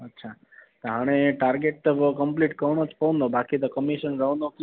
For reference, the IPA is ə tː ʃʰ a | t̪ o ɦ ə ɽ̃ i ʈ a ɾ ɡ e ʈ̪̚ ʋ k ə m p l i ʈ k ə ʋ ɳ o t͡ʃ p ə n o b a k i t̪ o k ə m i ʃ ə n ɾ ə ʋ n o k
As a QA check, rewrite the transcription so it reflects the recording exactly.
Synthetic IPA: ə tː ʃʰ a | t̪ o ɦ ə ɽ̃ e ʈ a ɾ ɡ e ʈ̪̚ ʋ k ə m p l i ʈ k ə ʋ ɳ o t͡ʃ p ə n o b a k i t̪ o k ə m i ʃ ə n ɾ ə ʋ n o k